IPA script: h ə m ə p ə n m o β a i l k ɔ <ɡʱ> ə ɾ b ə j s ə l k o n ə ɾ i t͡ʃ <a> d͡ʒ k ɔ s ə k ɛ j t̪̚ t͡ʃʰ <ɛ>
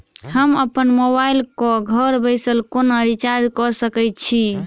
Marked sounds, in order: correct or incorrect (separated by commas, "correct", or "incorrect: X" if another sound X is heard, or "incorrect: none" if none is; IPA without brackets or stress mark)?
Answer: correct, correct, incorrect: i